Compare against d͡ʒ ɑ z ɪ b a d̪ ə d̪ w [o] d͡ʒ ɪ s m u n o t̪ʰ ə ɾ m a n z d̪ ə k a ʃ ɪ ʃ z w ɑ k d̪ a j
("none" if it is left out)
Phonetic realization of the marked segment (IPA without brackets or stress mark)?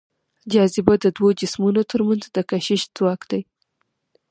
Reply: o